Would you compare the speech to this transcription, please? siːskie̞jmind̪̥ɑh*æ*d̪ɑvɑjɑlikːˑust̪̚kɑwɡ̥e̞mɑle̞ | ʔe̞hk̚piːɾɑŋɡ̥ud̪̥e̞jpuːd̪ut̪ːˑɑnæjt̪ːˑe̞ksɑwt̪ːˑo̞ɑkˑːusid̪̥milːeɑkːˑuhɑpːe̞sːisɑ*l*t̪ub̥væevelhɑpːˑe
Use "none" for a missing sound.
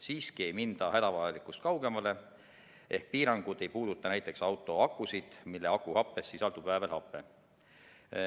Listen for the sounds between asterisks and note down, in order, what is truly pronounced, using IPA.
æ, l

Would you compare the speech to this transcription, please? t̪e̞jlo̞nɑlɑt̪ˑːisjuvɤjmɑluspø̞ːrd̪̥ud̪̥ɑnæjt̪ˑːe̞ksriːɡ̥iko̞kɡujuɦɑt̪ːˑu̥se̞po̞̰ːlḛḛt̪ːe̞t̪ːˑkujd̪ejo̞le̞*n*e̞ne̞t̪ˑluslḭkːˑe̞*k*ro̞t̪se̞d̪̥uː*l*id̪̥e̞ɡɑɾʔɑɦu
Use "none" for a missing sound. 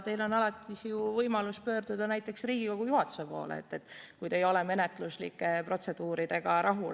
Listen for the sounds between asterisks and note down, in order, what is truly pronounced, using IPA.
m, p, ɾ

